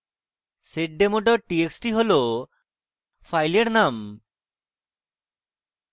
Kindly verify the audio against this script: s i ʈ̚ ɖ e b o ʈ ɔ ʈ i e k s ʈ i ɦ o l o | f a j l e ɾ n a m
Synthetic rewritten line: s e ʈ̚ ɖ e m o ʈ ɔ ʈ i e k s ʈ i ɦ o l o | f a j l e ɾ n a m